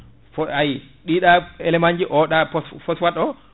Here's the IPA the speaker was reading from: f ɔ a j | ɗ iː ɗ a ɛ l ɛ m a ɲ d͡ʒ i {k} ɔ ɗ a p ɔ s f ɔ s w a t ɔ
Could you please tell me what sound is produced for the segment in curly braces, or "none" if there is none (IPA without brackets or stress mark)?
ʔ